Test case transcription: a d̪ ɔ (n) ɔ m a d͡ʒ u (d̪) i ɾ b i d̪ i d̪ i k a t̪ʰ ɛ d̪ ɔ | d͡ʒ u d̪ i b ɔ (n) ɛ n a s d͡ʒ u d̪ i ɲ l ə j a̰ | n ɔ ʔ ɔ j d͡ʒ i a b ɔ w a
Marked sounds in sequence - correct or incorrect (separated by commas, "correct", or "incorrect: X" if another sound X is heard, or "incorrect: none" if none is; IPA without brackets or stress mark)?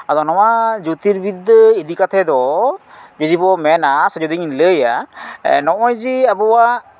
correct, incorrect: t̪, incorrect: m